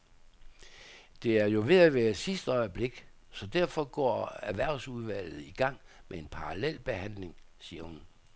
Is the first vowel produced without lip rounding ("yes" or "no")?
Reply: yes